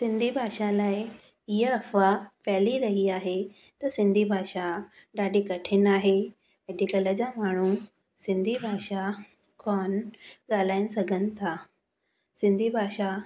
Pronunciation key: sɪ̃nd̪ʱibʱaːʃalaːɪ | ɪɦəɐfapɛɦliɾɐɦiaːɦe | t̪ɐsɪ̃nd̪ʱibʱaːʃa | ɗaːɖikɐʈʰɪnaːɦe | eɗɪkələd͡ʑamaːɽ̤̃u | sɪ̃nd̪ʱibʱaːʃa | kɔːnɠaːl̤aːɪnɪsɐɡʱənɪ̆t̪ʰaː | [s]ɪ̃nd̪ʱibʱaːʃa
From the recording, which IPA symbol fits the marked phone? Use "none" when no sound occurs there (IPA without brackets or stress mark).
s